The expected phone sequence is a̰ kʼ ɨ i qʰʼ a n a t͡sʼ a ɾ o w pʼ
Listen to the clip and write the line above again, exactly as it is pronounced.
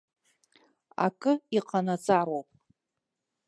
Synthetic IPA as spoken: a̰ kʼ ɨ i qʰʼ a n a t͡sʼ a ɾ o w pʼ